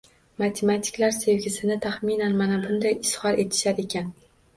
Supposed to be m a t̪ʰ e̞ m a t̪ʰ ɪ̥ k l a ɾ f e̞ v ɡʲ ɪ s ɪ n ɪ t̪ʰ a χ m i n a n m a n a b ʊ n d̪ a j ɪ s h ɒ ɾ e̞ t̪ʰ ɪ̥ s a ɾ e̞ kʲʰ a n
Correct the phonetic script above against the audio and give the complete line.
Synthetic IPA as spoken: m a t̪ʰ e̞ m a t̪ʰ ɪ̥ k l a ɾ s e̞ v ɡʲ ɪ s ɪ n ɪ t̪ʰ a χ m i n a n m a n a b ʊ n d̪ a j ɪ s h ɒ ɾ e̞ t̪ʰ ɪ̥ ʃ a ɾ e̞ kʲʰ a n